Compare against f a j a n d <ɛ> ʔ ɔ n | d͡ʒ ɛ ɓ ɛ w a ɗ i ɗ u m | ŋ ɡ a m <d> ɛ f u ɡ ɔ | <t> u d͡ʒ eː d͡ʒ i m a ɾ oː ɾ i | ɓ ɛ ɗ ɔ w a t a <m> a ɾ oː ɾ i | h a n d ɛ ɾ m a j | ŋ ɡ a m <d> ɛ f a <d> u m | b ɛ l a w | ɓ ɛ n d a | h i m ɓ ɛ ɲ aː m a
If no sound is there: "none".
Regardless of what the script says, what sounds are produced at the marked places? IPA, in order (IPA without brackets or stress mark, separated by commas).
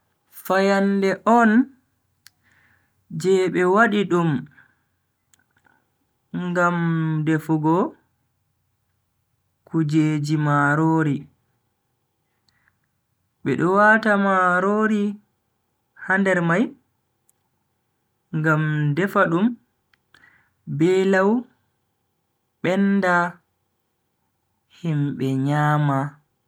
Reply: ɛ, d, k, m, d, ɗ